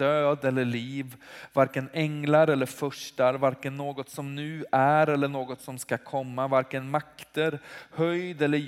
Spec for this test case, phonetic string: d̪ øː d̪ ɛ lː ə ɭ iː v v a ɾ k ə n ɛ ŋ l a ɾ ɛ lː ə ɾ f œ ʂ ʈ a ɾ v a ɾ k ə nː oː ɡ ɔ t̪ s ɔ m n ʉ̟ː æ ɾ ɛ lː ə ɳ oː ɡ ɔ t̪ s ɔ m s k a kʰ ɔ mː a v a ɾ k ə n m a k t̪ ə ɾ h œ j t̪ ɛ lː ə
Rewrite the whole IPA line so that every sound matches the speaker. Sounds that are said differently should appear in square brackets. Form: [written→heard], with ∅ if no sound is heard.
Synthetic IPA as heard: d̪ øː d̪ ɛ lː ə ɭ iː v v a ɾ k ə n ɛ ŋ l a ɾ ɛ lː ə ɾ f œ ʂ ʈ a ɾ v a ɾ k ə nː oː ɡ ɔ t̪ s ɔ m n ʉ̟ː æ ɾ ɛ lː ə ɳ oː ɡ ɔ t̪ s ɔ m s k a kʰ ɔ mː a v a ɾ k ə n m a k t̪ ə ɾ h œ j [t̪→d̪] ɛ lː ə